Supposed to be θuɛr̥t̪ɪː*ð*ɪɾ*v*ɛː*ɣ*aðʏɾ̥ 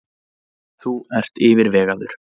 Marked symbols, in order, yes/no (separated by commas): no, yes, yes